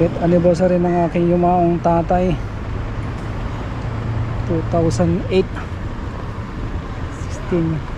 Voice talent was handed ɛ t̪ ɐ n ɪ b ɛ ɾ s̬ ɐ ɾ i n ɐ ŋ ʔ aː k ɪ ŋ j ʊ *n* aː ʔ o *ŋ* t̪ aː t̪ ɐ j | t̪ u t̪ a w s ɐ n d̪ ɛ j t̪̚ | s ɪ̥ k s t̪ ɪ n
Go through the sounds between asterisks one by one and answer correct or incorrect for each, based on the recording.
incorrect, correct

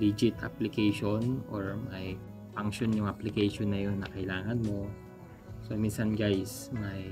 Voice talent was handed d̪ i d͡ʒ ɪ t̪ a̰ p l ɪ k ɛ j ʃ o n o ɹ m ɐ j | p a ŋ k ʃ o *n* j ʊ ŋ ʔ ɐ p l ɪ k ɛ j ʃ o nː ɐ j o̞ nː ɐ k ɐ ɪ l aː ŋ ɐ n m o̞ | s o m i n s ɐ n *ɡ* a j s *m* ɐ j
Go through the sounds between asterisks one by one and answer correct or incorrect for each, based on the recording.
correct, correct, correct

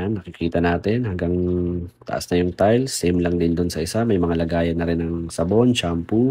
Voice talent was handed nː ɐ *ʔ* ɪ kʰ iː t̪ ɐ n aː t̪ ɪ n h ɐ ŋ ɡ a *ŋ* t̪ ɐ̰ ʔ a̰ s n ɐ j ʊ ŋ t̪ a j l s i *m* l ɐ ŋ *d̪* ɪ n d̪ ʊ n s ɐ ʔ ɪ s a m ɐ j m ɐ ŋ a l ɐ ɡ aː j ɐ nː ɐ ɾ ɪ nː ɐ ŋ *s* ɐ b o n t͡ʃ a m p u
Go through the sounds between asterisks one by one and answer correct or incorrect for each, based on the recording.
incorrect, correct, correct, correct, correct

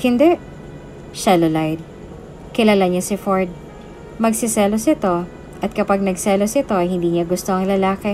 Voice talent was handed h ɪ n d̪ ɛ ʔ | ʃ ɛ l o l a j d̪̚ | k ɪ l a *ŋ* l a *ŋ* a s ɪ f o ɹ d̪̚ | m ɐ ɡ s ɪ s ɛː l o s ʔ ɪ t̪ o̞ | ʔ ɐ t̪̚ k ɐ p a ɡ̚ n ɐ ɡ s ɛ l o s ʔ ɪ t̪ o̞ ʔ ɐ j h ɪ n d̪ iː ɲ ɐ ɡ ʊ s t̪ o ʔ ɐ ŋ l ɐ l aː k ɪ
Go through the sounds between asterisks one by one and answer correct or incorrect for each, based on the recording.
incorrect, incorrect

